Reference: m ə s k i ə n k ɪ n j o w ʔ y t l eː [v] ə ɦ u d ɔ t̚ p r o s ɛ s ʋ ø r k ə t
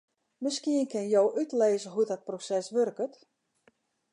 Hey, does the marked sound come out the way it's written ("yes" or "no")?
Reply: no